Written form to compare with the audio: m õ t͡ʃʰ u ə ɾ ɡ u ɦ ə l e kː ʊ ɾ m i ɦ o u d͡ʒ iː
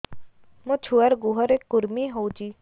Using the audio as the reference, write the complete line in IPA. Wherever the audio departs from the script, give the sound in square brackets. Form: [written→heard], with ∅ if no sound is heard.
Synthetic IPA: m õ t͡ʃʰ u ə ɾ ɡ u ɦ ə [l→ɾ] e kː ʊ ɾ m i ɦ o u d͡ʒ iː